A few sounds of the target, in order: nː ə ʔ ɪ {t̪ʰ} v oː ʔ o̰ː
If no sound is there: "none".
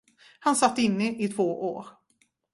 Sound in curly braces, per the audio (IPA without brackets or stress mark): t̪ʰ